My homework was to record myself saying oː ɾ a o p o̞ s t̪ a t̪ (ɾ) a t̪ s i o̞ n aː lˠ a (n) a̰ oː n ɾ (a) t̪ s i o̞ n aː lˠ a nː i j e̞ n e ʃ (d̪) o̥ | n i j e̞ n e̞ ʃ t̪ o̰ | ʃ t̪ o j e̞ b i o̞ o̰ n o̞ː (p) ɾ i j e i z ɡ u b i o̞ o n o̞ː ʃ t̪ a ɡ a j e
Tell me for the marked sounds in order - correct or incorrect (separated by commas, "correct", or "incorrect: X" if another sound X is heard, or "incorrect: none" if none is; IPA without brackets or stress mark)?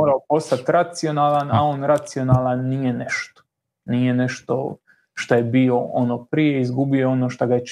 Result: correct, correct, correct, incorrect: t̪, correct